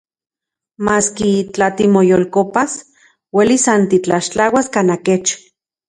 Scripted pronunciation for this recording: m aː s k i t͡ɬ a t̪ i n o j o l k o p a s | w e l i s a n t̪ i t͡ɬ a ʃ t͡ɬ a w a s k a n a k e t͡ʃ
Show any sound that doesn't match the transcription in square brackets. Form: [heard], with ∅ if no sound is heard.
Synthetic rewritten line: m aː s k i t͡ɬ a t̪ i [m] o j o l k o p a s | w e l i s a n t̪ i t͡ɬ a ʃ t͡ɬ a w a s k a n a k e t͡ʃ